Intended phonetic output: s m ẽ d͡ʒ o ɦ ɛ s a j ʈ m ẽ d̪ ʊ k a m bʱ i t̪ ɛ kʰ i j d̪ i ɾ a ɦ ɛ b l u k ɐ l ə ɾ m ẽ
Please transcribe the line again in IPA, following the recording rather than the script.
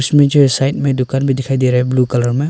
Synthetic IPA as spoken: s m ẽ d͡ʒ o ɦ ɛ s a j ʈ m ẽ d̪ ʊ k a n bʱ i d̪ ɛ kʰ a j d̪ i ɾ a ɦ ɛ b l u k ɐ l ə ɾ m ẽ